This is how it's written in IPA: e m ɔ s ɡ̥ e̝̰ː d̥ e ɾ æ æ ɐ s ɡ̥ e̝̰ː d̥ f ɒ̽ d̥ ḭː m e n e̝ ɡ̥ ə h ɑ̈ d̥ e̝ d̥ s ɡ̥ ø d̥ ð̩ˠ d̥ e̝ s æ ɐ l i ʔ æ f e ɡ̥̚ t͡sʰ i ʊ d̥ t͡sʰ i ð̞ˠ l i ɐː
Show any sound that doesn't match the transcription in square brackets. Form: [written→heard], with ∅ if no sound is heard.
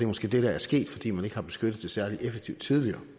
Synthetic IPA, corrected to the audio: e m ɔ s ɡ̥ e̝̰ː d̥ e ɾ æ æ ɐ s ɡ̥ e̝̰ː d̥ f ɒ̽ d̥ ḭː m [e→æ] n e̝ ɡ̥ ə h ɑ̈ [d̥→b̥] e̝ [d̥→∅] s ɡ̥ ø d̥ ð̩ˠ d̥ e̝ s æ ɐ l i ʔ [æ→e] f e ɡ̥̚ t͡sʰ i ʊ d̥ t͡sʰ i ð̞ˠ l i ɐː

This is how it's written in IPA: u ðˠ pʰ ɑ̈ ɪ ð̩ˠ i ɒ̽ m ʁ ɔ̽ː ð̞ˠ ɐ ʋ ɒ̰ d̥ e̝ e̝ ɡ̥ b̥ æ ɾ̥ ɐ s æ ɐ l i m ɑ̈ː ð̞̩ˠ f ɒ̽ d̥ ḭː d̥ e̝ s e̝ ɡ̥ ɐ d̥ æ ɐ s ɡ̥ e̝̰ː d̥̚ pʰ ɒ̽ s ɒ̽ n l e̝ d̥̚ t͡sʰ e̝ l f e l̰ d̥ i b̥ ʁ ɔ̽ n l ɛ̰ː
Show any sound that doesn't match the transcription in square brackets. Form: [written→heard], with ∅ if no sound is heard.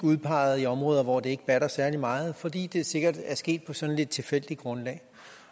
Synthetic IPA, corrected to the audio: u ðˠ pʰ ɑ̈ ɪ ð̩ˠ i ɒ̽ m ʁ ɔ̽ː ð̞ˠ ɐ ʋ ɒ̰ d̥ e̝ e̝ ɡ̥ b̥ æ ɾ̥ ɐ s æ ɐ l i m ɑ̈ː ð̞̩ˠ f ɒ̽ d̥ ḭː d̥ e̝ s e̝ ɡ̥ ɐ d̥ æ ɐ s ɡ̥ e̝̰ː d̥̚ pʰ ɒ̽ s ɒ̽ n l e̝ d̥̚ t͡sʰ e̝ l f e l̰ d̥ i [b̥→ɡ̥] ʁ ɔ̽ n l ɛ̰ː

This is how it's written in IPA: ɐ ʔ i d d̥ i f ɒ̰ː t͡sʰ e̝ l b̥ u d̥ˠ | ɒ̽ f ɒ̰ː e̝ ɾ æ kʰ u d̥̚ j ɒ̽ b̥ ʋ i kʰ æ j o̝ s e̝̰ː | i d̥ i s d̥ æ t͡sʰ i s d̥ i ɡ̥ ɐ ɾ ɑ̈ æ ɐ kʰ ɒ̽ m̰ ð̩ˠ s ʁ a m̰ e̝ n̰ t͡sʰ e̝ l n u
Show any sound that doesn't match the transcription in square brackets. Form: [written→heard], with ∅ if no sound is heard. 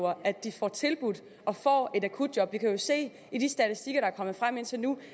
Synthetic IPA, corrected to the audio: ɐ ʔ [i→æ] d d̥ i f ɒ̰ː t͡sʰ e̝ l b̥ u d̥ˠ | ɒ̽ f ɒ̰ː e̝ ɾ æ kʰ u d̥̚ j ɒ̽ b̥ ʋ i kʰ æ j o̝ s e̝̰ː | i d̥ i s d̥ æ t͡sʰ i s d̥ i ɡ̥ ɐ ɾ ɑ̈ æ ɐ kʰ ɒ̽ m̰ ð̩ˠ [s→f] ʁ a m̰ e̝ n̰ t͡sʰ e̝ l n u

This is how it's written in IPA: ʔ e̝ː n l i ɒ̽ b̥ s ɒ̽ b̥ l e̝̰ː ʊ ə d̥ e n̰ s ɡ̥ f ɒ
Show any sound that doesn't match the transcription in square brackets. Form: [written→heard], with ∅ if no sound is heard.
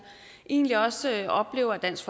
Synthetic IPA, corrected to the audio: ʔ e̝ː n l i ɒ̽ [b̥→∅] s ɒ̽ b̥ l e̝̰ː ʊ [ə→ɐ] d̥ [e→æ] n̰ s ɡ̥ f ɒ

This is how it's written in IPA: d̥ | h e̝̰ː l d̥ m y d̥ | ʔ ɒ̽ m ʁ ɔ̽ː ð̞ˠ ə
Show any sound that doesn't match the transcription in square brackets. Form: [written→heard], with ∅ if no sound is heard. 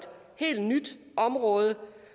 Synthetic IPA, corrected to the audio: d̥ | h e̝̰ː l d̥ [m→n] y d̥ | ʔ ɒ̽ m ʁ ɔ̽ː ð̞ˠ ə

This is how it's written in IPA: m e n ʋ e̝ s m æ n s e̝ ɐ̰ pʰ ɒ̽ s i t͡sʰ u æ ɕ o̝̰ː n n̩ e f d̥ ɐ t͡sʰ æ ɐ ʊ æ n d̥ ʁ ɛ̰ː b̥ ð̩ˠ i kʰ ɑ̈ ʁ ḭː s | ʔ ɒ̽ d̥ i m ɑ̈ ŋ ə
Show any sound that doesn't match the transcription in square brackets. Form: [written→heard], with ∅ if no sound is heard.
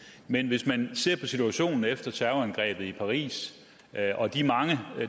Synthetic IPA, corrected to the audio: m e n ʋ e̝ s m æ n s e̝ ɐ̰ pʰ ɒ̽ s i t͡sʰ u æ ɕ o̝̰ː n n̩ e f d̥ ɐ t͡sʰ æ ɐ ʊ æ n [d̥→ɡ̥] ʁ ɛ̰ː b̥ ð̩ˠ i [kʰ→pʰ] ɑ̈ ʁ ḭː s | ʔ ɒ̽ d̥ i m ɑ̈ ŋ ə

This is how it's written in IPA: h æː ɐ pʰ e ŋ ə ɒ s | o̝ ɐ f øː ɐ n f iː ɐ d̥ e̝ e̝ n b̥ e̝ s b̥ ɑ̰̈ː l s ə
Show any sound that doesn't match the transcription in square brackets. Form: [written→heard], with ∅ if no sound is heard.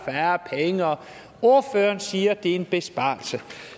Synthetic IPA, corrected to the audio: [h→f] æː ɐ pʰ e ŋ ə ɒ [s→∅] | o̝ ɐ f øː ɐ n [f→s] iː ɐ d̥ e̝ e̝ n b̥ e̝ s b̥ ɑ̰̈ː l s ə

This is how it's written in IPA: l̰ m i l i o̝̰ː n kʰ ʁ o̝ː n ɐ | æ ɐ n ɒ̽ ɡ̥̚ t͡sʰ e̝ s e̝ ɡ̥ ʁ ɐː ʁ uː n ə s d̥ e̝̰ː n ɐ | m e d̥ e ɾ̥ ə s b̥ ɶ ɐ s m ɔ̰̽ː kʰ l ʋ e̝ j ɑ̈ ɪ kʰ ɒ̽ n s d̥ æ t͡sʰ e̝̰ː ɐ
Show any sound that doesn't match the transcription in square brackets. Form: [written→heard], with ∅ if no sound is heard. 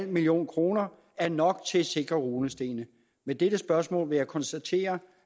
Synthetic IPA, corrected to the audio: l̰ m i l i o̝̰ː n kʰ ʁ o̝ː n ɐ | æ ɐ n ɒ̽ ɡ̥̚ t͡sʰ e̝ s e̝ ɡ̥ ʁ [ɐː→ɐ] ʁ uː n ə s d̥ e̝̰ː n [ɐ→ə] | m e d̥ e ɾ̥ ə s b̥ ɶ ɐ s m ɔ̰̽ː [kʰ→∅] l ʋ e̝ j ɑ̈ ɪ kʰ ɒ̽ n s d̥ æ t͡sʰ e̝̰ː ɐ

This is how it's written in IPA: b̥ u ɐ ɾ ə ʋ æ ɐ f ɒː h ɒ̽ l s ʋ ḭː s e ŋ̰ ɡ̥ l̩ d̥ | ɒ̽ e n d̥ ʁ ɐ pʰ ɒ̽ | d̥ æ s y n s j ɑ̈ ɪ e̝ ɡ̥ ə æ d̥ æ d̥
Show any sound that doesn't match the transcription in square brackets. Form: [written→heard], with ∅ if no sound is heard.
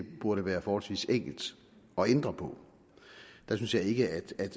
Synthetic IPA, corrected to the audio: b̥ u ɐ ɾ ə ʋ [æ→æː] ɐ f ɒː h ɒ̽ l s ʋ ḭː s e ŋ̰ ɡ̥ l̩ d̥ | ɒ̽ e n d̥ ʁ ɐ pʰ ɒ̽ | d̥ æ s y n s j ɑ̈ ɪ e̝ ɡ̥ ə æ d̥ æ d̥

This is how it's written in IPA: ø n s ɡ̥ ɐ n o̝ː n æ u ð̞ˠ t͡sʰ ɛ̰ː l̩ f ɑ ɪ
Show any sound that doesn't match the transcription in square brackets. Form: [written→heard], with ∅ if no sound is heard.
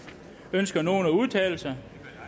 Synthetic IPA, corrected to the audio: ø n s ɡ̥ ɐ n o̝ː n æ u ð̞ˠ t͡sʰ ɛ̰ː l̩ [f→s] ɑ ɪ

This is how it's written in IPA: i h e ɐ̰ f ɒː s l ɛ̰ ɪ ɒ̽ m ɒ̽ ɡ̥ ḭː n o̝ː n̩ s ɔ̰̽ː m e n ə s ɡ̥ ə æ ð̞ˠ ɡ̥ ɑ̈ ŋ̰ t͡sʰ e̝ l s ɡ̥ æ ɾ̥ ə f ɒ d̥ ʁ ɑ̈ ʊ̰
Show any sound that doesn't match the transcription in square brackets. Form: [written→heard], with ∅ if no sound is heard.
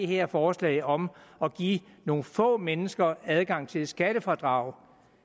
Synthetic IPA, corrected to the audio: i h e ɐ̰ f ɒː s l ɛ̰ ɪ ɒ̽ m ɒ̽ ɡ̥ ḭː n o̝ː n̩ [s→f] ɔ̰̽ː m e n ə s ɡ̥ [ə→ɐ] æ ð̞ˠ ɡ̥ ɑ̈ ŋ̰ t͡sʰ e̝ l s ɡ̥ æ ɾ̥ ə f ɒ d̥ ʁ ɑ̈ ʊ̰

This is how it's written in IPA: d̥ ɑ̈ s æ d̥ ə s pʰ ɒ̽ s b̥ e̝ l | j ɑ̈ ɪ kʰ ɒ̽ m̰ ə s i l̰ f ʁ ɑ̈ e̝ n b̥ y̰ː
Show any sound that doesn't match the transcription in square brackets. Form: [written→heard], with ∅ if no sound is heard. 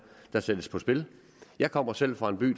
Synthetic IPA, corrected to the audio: d̥ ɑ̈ s [æ→e] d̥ ə s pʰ ɒ̽ s b̥ e̝ l | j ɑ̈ ɪ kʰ ɒ̽ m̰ [ə→ɐ] s [i→e] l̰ f ʁ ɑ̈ e̝ n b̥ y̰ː

